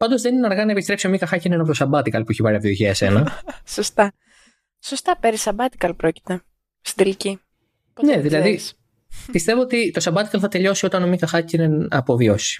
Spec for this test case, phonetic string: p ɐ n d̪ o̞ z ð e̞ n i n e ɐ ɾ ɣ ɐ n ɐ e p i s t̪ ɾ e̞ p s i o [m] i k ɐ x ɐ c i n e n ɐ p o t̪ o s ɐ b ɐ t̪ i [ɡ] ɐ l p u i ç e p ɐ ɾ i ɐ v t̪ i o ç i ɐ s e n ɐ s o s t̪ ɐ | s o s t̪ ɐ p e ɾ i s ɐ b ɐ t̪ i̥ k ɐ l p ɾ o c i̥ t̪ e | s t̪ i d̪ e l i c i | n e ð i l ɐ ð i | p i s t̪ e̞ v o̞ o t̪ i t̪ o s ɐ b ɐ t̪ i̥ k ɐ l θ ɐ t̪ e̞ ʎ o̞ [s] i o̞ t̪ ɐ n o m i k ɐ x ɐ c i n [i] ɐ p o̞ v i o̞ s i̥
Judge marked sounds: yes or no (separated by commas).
yes, no, yes, no